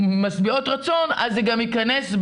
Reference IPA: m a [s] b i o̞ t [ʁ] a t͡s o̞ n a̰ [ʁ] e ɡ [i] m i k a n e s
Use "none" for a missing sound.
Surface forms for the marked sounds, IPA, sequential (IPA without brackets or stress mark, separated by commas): s, ʁ, z, a